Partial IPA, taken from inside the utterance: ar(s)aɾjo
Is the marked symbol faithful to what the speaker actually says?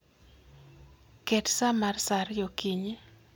yes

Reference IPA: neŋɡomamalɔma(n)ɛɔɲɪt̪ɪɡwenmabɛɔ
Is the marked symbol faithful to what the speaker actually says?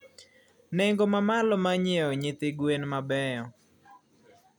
no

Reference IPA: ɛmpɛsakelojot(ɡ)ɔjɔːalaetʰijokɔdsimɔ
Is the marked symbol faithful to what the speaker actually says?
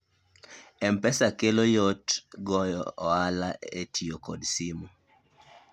yes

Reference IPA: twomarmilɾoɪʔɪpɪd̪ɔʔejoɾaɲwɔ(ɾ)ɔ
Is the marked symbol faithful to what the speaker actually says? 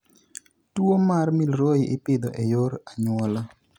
no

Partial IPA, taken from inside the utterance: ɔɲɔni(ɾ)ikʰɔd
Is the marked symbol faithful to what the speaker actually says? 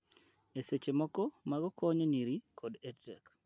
yes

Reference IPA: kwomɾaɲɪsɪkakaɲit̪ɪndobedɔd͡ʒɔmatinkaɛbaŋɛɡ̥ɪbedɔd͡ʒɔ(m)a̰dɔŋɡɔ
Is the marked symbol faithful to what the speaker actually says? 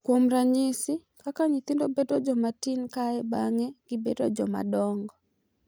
yes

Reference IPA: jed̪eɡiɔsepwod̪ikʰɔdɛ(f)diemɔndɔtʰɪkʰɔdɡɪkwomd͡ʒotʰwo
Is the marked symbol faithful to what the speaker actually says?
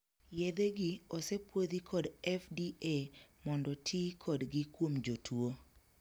yes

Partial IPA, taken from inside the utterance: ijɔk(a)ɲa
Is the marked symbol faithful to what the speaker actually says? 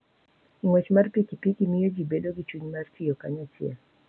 yes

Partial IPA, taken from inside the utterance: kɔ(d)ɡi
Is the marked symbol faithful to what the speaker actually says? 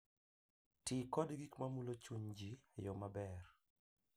yes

